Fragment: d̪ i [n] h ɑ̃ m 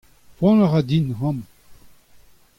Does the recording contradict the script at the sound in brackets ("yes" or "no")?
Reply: no